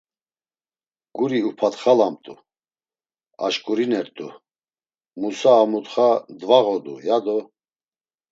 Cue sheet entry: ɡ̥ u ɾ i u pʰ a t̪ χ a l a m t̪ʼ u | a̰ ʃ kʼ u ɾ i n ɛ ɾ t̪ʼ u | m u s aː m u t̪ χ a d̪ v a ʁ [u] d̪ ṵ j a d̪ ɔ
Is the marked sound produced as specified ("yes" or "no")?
no